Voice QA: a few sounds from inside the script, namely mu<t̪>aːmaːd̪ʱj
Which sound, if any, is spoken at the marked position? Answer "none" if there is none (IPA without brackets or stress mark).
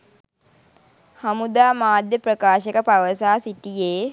d̪